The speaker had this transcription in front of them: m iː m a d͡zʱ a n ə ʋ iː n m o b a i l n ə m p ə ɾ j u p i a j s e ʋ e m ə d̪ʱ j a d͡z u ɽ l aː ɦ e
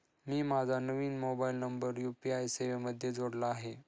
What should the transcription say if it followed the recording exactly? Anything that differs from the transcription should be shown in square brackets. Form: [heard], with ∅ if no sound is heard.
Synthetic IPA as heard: m iː m a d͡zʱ a n ə ʋ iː n m o b a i l n ə m [b] ə ɾ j u p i a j s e ʋ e m ə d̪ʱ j [e] d͡z [o] ɽ l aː ɦ e